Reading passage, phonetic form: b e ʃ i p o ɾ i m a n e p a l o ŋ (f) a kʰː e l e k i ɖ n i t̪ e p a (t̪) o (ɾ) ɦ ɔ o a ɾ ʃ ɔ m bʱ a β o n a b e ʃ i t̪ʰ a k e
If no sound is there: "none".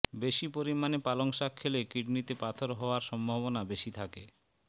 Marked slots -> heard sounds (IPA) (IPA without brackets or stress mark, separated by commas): ʃ, t̪ʰ, ɾ